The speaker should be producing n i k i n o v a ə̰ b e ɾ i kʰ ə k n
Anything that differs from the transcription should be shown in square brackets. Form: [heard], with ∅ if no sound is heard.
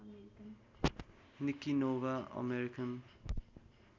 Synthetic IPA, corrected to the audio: n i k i n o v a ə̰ [m] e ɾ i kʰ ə [∅] n